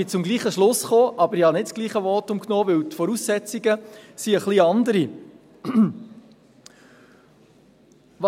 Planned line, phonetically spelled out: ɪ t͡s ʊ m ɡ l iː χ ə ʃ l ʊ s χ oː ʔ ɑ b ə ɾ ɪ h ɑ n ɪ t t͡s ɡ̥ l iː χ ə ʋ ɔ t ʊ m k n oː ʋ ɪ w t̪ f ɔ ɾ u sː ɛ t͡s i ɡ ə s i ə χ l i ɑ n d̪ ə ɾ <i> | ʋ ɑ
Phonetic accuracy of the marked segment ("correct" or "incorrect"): correct